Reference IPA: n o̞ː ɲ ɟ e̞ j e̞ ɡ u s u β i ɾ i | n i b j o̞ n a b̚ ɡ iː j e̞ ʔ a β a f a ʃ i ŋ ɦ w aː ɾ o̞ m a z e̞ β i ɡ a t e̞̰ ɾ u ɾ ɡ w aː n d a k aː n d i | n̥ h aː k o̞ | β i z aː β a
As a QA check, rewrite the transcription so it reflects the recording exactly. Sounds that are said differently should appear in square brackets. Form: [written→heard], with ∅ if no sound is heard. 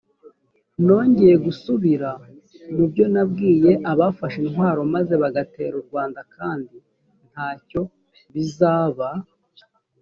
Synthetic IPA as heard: n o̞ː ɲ ɟ e̞ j e̞ ɡ u s u β i ɾ [i→a] | n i b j o̞ n a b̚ ɡ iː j e̞ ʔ a β a f a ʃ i [ŋ→n] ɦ w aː ɾ o̞ m a z e̞ β [i→a] ɡ a t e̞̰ ɾ u ɾ ɡ w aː n d a k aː n d i | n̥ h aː [k→c] o̞ | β i z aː β a

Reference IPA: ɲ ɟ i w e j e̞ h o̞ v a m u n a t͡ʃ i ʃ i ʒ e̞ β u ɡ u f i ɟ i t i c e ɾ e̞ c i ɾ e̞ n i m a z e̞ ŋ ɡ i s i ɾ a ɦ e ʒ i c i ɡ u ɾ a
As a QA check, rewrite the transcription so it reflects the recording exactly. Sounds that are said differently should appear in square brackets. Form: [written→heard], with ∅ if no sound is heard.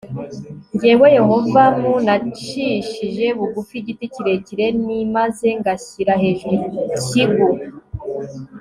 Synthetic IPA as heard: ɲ ɟ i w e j e̞ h o̞ v a m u n a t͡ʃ i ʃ i ʒ e̞ β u ɡ u f i ɟ i t i c [e→i] ɾ e̞ c i ɾ e̞ n i m a z e̞ ŋ ɡ [i→a] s i ɾ a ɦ e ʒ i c i ɡ u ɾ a

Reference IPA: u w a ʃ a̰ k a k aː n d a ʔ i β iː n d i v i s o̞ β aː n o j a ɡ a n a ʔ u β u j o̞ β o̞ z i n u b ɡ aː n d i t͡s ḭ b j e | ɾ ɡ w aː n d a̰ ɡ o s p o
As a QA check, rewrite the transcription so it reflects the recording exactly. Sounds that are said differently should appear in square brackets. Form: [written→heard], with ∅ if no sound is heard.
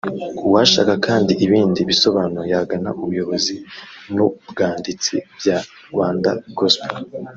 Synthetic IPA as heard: u w a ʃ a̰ k a k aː n d [a→i] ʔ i β iː n d i [v→β] i s o̞ β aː n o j a ɡ a n a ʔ u β u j o̞ β o̞ z i n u b ɡ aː n d i t͡s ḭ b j [e→a] | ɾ ɡ w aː n d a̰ ɡ o s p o

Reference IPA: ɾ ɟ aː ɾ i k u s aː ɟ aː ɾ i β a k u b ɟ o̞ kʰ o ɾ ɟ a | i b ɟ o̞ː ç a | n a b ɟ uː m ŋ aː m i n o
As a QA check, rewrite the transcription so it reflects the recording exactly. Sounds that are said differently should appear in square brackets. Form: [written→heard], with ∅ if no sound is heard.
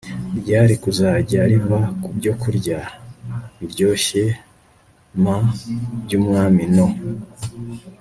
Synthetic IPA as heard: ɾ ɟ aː ɾ i k u [s→z] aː ɟ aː ɾ i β a k u b ɟ o̞ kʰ [o→u] ɾ ɟ a | i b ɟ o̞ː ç [a→e] | [n→m] a b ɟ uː m ŋ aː m i n o

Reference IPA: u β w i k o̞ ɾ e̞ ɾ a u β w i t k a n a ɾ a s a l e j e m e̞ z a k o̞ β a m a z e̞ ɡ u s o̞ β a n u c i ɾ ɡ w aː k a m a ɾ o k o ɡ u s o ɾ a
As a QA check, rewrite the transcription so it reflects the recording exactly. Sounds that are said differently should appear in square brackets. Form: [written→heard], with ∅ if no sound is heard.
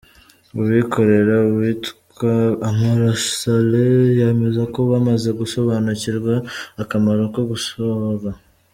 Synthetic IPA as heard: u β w i k o̞ ɾ e̞ ɾ a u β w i t k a [n→m] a ɾ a s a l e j e m e̞ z a k o̞ β a m a z e̞ ɡ u s o̞ β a n u c i ɾ ɡ w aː k a m a ɾ o k o ɡ u s o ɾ a

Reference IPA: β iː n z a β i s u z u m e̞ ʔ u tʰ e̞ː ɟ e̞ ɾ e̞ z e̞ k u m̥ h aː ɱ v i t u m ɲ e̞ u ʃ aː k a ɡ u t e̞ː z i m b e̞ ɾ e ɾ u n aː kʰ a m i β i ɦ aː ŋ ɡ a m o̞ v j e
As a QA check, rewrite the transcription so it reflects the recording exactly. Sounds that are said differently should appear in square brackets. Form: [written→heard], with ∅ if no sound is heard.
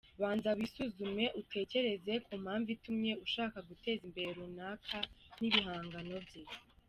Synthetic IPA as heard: β [iː→aː] n z a β i s u z u m e̞ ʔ u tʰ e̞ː [ɟ→c] e̞ ɾ e̞ z e̞ k u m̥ h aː ɱ v i t u m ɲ e̞ u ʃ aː k a ɡ u t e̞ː z i m b e̞ ɾ e ɾ u n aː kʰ a [m→n] i β i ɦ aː ŋ ɡ a [m→n] o̞ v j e

